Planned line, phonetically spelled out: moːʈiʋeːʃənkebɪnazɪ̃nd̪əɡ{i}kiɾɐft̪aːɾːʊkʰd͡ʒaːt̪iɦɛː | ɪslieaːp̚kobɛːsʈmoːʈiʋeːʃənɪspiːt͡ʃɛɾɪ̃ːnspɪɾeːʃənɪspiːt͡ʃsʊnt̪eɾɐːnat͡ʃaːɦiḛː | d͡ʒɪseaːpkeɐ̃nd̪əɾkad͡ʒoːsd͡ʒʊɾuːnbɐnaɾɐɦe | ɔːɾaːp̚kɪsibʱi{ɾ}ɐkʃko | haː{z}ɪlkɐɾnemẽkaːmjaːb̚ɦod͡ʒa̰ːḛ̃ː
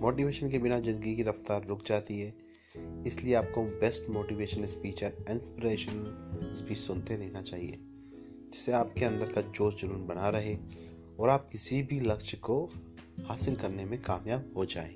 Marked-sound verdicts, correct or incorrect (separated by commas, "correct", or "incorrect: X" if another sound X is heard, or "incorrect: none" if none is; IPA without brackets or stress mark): correct, incorrect: l, incorrect: s